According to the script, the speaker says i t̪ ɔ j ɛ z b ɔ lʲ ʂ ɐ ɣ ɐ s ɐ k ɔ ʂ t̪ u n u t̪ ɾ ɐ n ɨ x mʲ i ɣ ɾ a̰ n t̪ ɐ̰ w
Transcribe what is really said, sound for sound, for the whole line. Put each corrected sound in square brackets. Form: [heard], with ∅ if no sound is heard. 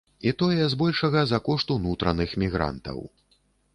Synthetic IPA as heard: i t̪ ɔ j ɛ z b ɔ lʲ ʂ ɐ ɣ ɐ [z] ɐ k ɔ ʂ t̪ u n u t̪ ɾ ɐ n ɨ x mʲ i ɣ ɾ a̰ n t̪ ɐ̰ w